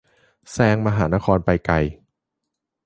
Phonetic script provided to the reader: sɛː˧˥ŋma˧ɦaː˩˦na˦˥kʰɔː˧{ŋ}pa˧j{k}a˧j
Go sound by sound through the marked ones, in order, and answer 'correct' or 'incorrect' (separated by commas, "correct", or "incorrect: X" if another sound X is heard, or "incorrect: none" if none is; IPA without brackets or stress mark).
incorrect: n, correct